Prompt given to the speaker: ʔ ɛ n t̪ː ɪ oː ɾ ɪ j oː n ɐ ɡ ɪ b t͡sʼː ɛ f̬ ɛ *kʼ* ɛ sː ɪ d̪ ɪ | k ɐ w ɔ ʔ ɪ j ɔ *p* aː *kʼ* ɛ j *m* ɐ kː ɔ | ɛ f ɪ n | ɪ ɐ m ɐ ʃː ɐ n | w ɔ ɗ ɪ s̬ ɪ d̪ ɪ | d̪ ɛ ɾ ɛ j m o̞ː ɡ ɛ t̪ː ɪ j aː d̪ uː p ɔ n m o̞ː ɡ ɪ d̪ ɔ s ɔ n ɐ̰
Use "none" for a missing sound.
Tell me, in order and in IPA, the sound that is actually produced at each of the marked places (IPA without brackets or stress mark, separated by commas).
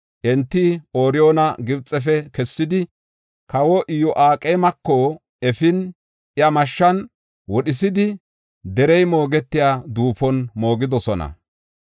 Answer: k, ʔ, kʼ, m